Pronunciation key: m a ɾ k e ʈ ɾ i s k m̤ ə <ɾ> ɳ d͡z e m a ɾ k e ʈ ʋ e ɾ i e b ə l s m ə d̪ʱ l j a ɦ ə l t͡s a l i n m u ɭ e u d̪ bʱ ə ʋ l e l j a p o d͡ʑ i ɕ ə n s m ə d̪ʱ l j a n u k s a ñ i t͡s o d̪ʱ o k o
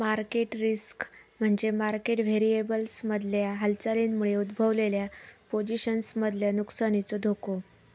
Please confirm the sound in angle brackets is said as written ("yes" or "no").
no